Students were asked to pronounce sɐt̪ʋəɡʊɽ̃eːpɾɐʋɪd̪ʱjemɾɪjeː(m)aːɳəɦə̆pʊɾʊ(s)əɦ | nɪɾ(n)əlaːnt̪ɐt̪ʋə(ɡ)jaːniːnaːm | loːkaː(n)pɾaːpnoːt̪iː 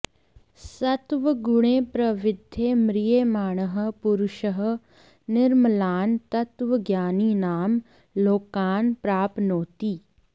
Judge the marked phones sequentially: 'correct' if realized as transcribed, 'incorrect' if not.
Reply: correct, incorrect, incorrect, correct, correct

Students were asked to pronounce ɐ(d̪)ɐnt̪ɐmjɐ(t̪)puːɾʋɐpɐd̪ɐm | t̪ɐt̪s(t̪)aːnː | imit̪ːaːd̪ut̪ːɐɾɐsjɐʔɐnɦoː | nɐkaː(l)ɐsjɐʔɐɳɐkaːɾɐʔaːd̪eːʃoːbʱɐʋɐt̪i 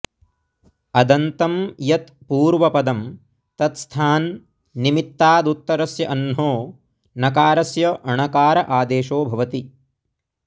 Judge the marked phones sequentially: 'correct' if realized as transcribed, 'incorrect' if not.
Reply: correct, correct, incorrect, incorrect

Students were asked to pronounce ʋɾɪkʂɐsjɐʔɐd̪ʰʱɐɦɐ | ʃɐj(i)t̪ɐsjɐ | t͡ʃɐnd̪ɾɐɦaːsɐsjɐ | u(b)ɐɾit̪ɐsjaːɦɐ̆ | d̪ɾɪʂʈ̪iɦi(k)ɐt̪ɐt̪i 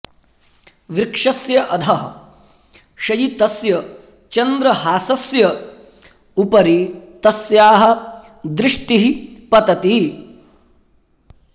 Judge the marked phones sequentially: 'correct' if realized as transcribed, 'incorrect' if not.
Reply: correct, incorrect, incorrect

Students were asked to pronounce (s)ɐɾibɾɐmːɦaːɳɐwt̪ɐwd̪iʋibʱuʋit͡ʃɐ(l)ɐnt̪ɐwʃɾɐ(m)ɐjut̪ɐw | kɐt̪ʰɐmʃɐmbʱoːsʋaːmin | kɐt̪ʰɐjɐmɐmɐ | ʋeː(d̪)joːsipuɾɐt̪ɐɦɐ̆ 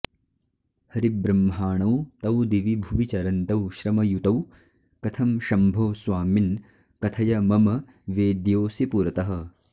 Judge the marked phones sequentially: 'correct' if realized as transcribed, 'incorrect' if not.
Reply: incorrect, incorrect, correct, correct

